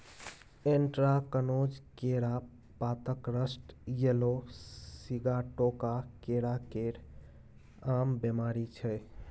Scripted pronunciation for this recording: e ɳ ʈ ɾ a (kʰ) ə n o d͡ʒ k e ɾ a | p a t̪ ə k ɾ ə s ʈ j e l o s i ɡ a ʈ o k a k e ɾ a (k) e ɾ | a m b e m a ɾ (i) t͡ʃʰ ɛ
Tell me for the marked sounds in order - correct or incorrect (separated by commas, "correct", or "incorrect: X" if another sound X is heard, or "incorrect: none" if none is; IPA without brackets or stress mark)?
incorrect: k, correct, correct